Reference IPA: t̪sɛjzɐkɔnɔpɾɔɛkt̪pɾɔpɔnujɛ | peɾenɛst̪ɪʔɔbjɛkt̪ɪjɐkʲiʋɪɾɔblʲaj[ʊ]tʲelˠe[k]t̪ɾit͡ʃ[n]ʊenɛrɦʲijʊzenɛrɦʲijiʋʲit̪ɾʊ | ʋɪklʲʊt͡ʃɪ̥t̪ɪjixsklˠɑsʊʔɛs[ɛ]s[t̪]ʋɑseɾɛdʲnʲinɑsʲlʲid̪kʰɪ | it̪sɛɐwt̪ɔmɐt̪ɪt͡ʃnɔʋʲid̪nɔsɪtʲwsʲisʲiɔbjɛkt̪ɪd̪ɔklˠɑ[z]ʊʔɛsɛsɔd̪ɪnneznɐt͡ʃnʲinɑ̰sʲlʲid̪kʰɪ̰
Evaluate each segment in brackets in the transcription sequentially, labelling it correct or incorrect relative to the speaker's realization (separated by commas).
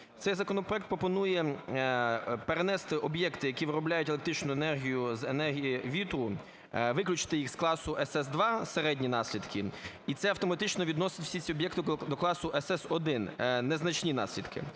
correct, correct, correct, correct, incorrect, incorrect